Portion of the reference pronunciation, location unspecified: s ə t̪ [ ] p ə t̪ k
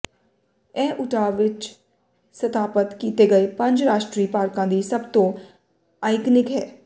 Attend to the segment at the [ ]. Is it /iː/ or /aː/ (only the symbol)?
aː